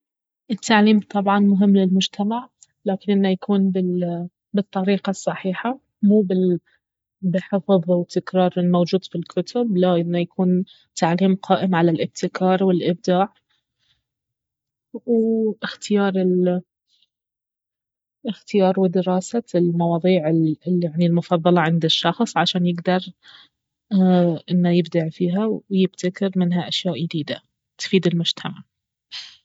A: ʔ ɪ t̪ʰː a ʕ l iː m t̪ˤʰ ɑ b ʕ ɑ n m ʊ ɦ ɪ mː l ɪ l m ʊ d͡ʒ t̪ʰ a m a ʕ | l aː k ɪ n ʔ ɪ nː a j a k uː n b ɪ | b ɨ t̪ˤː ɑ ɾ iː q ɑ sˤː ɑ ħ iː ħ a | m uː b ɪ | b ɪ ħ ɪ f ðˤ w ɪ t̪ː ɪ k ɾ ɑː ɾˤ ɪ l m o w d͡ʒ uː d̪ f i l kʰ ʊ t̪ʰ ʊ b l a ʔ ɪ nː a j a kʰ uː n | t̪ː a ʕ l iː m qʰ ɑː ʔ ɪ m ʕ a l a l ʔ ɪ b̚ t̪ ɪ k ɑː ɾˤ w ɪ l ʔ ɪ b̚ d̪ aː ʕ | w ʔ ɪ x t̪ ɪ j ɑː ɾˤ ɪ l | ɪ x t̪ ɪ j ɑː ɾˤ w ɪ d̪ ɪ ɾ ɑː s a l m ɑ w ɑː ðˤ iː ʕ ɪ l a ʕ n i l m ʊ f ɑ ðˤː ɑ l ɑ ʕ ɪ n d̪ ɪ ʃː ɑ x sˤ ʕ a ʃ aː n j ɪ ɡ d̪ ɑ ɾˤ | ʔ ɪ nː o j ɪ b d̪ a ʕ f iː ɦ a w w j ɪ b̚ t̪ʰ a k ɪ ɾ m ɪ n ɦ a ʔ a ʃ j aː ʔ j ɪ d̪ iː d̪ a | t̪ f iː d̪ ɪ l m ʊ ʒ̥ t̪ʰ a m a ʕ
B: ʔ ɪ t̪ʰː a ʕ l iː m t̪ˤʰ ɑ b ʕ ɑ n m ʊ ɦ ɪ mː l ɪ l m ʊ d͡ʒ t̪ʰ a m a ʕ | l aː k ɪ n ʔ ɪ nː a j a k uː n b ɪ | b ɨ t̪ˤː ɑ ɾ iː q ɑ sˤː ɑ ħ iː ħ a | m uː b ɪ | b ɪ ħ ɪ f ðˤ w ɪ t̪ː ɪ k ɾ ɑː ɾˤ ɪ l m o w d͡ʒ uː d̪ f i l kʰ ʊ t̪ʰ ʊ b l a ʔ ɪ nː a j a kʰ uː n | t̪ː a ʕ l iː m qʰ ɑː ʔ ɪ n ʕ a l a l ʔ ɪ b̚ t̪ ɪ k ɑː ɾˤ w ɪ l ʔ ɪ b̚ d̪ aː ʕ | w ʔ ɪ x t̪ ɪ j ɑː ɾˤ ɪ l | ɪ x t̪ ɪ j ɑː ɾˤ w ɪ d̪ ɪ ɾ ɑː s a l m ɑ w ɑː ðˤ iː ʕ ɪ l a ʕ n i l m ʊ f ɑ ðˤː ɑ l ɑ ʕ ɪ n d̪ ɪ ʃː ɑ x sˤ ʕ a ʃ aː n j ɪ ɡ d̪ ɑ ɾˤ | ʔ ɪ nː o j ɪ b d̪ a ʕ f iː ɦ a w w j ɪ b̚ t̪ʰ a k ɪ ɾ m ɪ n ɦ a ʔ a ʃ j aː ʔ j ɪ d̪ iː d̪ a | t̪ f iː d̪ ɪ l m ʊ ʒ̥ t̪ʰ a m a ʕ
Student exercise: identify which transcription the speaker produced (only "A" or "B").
A